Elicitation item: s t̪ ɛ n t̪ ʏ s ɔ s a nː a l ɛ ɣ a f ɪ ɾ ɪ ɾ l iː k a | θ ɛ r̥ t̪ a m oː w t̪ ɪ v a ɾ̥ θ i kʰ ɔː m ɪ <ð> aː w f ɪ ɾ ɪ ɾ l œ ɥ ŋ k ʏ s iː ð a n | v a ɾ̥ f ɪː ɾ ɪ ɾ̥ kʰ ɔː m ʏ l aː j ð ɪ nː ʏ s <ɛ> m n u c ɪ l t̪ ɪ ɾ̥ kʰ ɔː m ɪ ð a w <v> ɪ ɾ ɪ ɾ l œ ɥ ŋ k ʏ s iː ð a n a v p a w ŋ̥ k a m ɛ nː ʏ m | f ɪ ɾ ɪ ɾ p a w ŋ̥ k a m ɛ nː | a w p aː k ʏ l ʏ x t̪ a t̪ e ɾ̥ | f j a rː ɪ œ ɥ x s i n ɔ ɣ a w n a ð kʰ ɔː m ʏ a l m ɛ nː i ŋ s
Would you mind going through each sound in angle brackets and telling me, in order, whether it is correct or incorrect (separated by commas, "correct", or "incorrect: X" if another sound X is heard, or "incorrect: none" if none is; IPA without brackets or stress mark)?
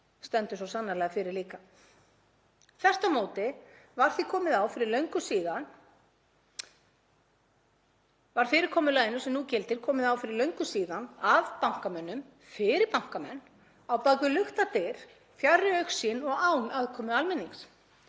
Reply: correct, correct, incorrect: f